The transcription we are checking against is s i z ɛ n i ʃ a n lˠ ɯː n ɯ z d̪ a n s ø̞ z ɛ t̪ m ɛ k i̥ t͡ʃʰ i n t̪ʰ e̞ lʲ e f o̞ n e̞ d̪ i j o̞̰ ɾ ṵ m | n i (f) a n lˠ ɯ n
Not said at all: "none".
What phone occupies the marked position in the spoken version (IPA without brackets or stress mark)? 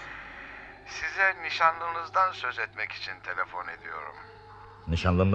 ʃ